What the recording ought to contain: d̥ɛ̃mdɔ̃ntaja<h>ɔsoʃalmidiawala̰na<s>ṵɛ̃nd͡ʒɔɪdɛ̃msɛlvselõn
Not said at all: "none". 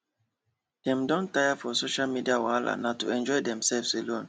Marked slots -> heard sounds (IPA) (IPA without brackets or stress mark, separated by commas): f, t